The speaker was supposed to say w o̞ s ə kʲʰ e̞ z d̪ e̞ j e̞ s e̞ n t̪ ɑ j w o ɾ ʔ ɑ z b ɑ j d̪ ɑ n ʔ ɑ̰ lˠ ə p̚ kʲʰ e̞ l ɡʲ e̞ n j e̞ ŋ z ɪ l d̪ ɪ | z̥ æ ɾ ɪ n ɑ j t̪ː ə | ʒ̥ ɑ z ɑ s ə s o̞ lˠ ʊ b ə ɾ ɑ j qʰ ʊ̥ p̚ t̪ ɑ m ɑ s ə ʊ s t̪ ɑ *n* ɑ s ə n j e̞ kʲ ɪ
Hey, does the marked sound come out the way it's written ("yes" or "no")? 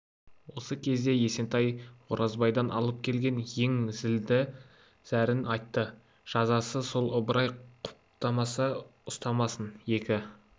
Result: no